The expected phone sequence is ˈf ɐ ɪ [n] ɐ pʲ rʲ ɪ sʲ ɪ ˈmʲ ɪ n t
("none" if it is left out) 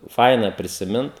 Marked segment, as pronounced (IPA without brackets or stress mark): n